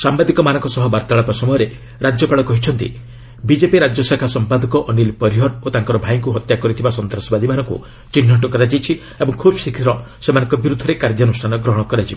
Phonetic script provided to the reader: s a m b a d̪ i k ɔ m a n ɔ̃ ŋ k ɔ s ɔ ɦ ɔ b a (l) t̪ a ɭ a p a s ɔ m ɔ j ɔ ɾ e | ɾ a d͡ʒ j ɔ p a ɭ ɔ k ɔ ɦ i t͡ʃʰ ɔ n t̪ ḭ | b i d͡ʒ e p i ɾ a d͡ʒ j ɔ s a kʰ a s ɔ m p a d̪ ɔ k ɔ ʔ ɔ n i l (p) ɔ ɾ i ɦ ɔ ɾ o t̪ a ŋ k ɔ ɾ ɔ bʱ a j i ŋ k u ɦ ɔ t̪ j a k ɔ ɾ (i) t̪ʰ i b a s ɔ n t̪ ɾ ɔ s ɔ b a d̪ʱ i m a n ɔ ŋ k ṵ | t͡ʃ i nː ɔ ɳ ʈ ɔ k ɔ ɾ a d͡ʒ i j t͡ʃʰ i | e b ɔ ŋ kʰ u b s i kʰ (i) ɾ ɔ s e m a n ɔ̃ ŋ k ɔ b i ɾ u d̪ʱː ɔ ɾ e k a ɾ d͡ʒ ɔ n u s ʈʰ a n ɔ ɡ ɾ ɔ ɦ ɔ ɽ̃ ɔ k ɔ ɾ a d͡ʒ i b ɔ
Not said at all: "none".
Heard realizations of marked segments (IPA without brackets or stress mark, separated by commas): ɾ, p, i, i